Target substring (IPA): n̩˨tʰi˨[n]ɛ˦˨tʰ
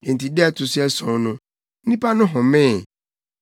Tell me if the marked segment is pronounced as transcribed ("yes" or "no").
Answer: no